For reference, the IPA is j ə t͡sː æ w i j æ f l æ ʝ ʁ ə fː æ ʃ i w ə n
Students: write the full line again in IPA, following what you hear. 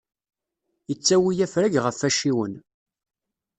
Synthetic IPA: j ə t͡sː æ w i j æ f ɾ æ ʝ ʁ ə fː æ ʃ i w ə n